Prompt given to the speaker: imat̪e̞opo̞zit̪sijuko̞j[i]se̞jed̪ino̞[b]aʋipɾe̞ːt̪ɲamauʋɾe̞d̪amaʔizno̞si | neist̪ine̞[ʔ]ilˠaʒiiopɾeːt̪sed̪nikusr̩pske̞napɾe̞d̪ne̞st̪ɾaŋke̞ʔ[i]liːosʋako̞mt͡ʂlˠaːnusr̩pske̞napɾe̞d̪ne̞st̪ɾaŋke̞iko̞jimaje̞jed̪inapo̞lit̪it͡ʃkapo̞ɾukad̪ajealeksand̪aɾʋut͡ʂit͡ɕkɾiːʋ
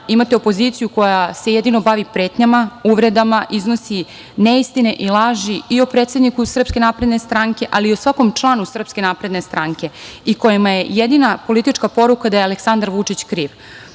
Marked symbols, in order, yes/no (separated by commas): no, yes, yes, no